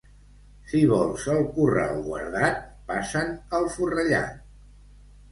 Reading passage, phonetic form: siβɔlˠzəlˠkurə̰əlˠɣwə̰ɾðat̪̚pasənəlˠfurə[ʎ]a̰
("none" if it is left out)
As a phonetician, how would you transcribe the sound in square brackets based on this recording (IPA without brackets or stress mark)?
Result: ʎ